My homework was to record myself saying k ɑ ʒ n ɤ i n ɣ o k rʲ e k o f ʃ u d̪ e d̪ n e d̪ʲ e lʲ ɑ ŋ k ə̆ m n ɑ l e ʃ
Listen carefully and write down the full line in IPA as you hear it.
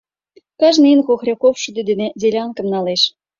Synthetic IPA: k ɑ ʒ n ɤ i n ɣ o x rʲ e k o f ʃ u d̪ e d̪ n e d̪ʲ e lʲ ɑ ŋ k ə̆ m n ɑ l e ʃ